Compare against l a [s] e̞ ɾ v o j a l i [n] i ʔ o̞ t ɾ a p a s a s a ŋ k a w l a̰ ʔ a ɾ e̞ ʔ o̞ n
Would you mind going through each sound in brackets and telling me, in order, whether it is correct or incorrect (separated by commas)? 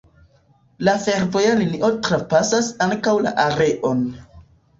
incorrect, correct